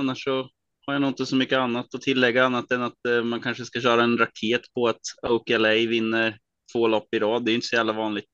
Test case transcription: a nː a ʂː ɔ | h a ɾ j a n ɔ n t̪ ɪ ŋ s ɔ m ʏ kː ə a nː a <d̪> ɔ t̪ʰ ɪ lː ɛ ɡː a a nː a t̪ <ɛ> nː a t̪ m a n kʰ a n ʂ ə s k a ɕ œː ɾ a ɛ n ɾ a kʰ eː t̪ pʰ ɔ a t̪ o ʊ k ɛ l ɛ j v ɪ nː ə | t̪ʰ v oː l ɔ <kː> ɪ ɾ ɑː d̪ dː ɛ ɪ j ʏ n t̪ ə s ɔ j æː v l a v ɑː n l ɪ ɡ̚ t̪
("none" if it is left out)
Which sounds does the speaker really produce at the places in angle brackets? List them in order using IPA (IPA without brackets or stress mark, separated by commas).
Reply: t̪, ɛ, pː